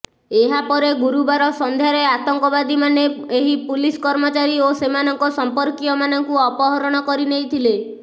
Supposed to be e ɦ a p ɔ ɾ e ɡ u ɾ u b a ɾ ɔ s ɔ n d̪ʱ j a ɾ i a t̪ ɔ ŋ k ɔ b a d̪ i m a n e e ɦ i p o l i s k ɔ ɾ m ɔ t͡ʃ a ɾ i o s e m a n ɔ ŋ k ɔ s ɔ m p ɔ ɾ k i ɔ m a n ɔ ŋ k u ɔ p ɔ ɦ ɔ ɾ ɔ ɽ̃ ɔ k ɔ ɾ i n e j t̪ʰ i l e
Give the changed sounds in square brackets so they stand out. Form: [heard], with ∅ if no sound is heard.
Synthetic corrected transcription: e ɦ a p ɔ ɾ e ɡ u ɾ u b a ɾ ɔ s ɔ n d̪ʱ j a ɾ [e] a t̪ ɔ ŋ k ɔ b a d̪ i m a n e e ɦ i p [u] l i s k ɔ ɾ m ɔ t͡ʃ a ɾ i o s e m a n ɔ ŋ k ɔ s ɔ m p ɔ ɾ k i ɔ m a n ɔ ŋ k u ɔ p ɔ ɦ ɔ ɾ ɔ ɽ̃ ɔ k ɔ ɾ i n e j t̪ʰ i l e

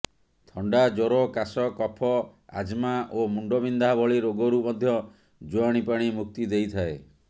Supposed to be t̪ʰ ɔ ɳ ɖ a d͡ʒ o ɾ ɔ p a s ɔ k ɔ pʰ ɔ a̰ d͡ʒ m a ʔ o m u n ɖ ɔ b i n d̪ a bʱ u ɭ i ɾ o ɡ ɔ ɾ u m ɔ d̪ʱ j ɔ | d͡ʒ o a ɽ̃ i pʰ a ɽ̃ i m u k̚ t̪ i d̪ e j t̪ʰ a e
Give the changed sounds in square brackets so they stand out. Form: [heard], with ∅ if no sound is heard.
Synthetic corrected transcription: t̪ʰ ɔ ɳ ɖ a d͡ʒ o ɾ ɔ [k] a s ɔ k ɔ pʰ ɔ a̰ d͡ʒ m a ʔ o m u [ɳ] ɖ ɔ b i n d̪ a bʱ [ɔ] ɭ i ɾ o ɡ ɔ ɾ u m ɔ d̪ʱ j ɔ | d͡ʒ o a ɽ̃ i [p] a ɽ̃ i m u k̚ t̪ i d̪ e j t̪ʰ a e

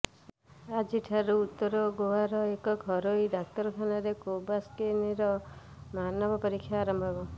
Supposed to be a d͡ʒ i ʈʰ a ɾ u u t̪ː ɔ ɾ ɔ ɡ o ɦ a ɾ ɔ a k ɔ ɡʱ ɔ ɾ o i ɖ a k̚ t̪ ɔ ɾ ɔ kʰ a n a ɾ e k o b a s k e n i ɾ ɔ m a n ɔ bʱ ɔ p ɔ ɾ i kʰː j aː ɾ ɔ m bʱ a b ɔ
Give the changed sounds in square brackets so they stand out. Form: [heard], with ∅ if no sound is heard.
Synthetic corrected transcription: a d͡ʒ i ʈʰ a ɾ u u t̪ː ɔ ɾ ɔ ɡ o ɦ a ɾ ɔ [e] k ɔ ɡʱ ɔ ɾ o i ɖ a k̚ t̪ ɔ ɾ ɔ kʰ a n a ɾ e k o b a s k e n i ɾ ɔ m a n ɔ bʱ ɔ p ɔ ɾ i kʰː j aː ɾ ɔ m bʱ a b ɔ

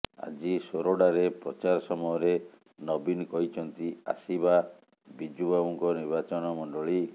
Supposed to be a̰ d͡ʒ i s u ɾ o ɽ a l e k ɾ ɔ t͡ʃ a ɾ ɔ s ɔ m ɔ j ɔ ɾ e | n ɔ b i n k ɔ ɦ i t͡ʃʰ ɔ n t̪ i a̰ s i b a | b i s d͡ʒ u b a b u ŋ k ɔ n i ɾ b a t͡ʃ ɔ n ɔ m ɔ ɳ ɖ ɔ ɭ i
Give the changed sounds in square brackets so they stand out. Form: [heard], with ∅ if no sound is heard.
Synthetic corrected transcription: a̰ d͡ʒ i s [o] ɾ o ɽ a [ɾ] e [p] ɾ ɔ t͡ʃ a ɾ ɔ s ɔ m ɔ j ɔ ɾ e | n ɔ b i n k ɔ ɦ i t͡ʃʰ ɔ n t̪ i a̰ s i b a | b i [∅] d͡ʒ u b a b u ŋ k ɔ n i ɾ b a t͡ʃ ɔ n ɔ m ɔ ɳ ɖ ɔ ɭ i

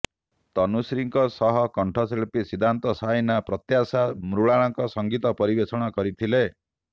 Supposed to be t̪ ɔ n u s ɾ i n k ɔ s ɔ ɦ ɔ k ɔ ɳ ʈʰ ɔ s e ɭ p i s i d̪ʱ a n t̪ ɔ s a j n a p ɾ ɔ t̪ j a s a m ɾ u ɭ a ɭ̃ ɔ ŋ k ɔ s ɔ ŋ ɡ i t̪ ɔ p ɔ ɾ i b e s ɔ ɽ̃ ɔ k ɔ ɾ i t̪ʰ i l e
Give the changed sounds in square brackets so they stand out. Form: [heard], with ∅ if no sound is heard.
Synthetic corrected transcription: t̪ ɔ n u s ɾ i [ŋ] k ɔ s ɔ ɦ ɔ k ɔ ɳ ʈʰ ɔ s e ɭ p i s i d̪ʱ a n t̪ ɔ s a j n a p ɾ ɔ t̪ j a s a m ɾ u ɭ a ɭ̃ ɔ ŋ k ɔ s ɔ ŋ ɡ i t̪ ɔ p ɔ ɾ i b e s ɔ ɽ̃ ɔ k ɔ ɾ i t̪ʰ i l e

